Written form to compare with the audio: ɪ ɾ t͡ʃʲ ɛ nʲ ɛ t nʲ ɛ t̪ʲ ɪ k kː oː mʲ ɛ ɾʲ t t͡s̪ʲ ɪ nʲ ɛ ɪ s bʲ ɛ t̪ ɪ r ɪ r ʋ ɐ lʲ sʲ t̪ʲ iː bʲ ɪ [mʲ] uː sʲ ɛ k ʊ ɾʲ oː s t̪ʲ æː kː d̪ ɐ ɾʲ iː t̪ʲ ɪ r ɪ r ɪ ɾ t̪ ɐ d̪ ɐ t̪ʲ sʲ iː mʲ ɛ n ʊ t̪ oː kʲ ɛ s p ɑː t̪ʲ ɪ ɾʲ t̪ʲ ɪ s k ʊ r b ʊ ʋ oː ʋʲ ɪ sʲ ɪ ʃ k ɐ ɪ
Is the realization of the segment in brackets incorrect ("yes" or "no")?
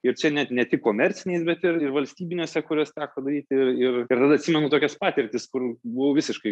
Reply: yes